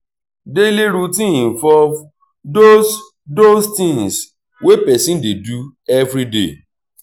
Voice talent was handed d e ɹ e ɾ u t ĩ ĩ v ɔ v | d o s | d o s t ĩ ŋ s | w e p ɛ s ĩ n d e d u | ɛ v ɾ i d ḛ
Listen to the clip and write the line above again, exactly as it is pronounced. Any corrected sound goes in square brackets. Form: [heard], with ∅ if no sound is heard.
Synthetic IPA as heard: d e [l] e ɾ u t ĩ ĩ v ɔ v | d o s | d o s t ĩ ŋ s | w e p ɛ s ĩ n d e d u | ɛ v ɾ i d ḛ

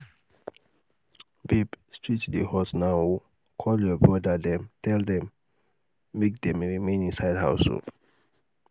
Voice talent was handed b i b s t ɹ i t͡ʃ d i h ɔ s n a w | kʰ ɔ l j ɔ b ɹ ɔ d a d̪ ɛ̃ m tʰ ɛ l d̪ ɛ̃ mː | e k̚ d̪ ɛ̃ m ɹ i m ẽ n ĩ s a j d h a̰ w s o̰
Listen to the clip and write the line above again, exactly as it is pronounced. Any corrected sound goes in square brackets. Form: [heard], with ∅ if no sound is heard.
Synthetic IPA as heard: b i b s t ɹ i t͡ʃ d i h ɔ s n a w | kʰ ɔ l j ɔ b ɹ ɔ d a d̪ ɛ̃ m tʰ ɛ l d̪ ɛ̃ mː | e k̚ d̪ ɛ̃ m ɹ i m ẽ n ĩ s a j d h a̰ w s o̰

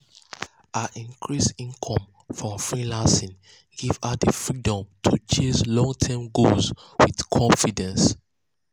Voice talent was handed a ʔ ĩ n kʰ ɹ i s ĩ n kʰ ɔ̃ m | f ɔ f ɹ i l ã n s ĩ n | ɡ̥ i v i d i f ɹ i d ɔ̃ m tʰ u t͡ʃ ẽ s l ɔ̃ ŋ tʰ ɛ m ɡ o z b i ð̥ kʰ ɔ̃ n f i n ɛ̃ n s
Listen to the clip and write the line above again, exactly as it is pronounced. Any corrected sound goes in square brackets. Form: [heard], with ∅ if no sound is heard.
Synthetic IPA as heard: a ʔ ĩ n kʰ ɹ i s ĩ n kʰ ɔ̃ m | f ɔ f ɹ i l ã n s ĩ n | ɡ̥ i v [a] d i f ɹ i d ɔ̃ m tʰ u t͡ʃ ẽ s l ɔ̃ ŋ tʰ ɛ m ɡ o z [w] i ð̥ kʰ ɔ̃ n f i [d] ɛ̃ n s

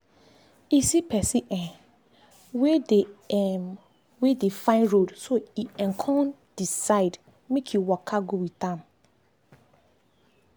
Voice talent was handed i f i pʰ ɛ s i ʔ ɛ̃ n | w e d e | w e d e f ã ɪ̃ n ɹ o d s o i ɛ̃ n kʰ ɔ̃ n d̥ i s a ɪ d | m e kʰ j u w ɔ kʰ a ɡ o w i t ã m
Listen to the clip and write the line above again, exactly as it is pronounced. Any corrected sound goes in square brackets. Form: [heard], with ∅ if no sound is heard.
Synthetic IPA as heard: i [s] i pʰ ɛ s i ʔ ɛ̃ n | w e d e | w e d e f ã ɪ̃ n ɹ o d s o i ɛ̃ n kʰ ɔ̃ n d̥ i s a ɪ d | m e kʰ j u w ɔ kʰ a ɡ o w i t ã m

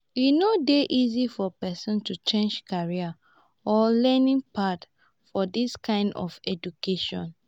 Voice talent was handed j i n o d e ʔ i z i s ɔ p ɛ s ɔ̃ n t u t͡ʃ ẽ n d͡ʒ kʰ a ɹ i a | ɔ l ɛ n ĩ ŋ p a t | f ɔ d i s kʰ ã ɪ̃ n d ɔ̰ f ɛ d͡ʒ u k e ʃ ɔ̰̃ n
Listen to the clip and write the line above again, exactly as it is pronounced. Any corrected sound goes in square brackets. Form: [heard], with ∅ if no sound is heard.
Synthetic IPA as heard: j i n o d e ʔ i z i [f] ɔ p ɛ s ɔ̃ n t u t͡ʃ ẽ n d͡ʒ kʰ a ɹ i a | ɔ l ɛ n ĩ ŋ p a t | f ɔ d i s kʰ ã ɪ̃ n d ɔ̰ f ɛ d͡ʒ u k e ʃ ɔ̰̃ n

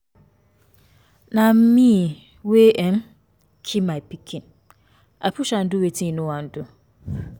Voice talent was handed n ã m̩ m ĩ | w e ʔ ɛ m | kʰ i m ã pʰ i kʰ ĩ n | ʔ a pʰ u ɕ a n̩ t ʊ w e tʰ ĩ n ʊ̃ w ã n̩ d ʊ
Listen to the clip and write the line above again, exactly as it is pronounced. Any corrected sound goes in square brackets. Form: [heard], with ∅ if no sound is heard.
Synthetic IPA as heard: n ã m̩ m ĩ | w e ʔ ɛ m | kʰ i m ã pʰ i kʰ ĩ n | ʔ a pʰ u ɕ a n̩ [d] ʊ w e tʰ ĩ n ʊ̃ w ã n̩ d ʊ

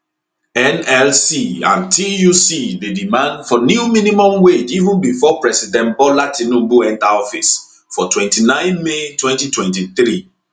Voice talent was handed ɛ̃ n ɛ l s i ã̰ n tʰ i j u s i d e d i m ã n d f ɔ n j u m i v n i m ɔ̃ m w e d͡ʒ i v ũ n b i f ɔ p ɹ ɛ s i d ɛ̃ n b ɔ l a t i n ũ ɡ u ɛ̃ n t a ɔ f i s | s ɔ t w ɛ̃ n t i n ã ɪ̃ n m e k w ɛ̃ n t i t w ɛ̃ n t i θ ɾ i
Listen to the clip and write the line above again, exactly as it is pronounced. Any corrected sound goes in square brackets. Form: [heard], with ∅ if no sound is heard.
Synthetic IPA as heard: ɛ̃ n ɛ l s i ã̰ n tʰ i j u s i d e d i m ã n d f ɔ n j u m i [∅] n i m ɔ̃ m w e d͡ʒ i v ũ n b i f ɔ p ɹ ɛ s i d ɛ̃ n b ɔ l a t i n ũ [b] u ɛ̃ n t a ɔ f i s | [f] ɔ t w ɛ̃ n t i n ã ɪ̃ n m e [t] w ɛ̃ n t i t w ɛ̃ n t i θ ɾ i

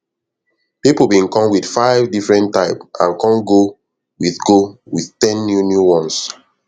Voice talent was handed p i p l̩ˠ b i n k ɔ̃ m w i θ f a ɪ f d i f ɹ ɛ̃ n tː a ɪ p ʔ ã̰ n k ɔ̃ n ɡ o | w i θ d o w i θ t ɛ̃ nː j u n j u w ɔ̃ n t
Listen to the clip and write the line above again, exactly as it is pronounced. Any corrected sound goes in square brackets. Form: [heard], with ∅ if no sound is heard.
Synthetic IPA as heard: p i p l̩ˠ b [ĩ] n k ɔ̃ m w i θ f a ɪ [v] d i f ɹ ɛ̃ n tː a ɪ p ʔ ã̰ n k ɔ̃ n ɡ o | w i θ [ɡ] o w i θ t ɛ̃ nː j u n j u w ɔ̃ n [s]

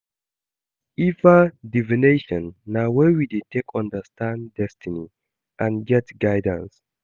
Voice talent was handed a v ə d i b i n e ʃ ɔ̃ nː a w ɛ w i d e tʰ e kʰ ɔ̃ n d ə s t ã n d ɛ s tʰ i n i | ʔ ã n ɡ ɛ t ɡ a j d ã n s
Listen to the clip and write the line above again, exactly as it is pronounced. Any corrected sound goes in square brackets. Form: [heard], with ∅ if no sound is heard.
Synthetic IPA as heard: [i] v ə d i [v] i n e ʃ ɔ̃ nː a w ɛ w i d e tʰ e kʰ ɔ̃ n d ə s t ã n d ɛ s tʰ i n i | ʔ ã n ɡ ɛ t ɡ a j d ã n s

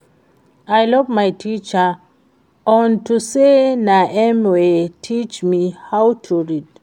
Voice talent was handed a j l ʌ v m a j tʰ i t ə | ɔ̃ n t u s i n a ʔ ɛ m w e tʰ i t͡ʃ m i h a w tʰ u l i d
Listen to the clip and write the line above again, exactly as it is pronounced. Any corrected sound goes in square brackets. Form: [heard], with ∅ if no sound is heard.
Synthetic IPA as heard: a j l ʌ v m a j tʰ i [t͡ʃ] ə | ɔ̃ n t u s [e] n a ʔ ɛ m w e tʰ i t͡ʃ m i h a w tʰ u [ɹ] i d

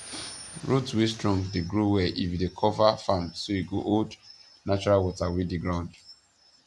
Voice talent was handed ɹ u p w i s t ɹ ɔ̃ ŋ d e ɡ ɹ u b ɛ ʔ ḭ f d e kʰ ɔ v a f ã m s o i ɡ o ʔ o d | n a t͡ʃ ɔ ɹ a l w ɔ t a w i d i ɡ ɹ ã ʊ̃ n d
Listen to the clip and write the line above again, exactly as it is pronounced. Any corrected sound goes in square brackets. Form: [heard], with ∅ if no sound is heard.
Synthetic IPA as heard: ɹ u [t] w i s t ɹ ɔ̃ ŋ d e ɡ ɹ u [w] ɛ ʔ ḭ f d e kʰ ɔ v a f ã m s o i ɡ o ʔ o d | n a t͡ʃ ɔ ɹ a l w ɔ t a w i d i ɡ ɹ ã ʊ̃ n d

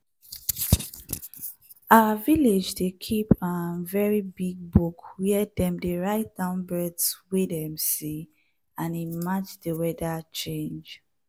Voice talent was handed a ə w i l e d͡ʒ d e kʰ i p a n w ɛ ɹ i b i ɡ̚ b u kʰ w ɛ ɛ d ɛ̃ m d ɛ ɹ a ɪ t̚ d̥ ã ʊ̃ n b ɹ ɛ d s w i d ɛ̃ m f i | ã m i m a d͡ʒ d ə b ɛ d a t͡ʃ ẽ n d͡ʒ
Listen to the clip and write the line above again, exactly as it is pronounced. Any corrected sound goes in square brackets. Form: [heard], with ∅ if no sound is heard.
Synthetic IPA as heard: a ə [v] i l e d͡ʒ d e kʰ i p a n [v] ɛ ɹ i b i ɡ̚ b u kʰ w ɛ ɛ d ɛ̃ m d [e] ɹ a ɪ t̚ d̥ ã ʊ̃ n b ɹ ɛ d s w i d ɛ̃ m [s] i | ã [n] i m a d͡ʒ d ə [w] ɛ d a t͡ʃ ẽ n d͡ʒ

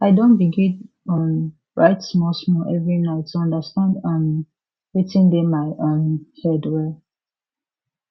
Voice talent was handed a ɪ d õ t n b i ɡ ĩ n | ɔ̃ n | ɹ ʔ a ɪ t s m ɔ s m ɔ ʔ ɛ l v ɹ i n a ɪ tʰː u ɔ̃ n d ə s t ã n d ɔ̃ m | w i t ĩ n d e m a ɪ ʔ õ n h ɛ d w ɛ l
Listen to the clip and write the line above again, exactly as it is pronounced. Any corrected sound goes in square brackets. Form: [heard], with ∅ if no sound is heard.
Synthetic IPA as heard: a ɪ d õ [∅] n b i ɡ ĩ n | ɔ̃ n | ɹ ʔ a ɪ t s m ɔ s m ɔ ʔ ɛ [∅] v ɹ i n a ɪ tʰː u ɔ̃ n d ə s t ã n d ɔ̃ [n] | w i t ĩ n d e m a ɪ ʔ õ n h ɛ d w ɛ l

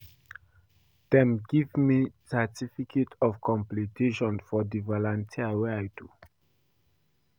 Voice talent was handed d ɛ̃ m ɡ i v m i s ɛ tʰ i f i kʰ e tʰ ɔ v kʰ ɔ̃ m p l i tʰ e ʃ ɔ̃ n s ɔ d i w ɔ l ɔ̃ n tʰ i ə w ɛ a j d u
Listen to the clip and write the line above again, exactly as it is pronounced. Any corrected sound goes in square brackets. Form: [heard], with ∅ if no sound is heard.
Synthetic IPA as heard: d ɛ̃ m ɡ i v m i s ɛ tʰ i f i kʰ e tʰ ɔ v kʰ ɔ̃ m p l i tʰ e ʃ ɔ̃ n [f] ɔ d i [v] ɔ l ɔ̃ n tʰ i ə w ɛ a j d u

